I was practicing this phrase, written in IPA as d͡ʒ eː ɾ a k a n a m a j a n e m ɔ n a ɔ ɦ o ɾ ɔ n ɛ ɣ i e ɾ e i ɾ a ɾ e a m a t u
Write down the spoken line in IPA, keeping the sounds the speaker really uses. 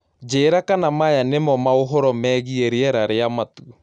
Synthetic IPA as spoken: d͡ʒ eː ɾ a k a n a m a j a n e m ɔ m a o ɦ ɔ ɾ ɔ m ɛ ɣ i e ɾ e ɛ ɾ a ɾ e a m a t u